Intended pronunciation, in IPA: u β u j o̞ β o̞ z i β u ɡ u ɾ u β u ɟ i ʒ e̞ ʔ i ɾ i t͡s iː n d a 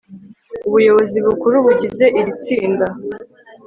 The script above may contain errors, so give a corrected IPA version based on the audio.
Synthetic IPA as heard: u β u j o̞ β o̞ z i β u k u ɾ u β u ɟ i z e̞ ʔ i ɾ i t͡s iː n d a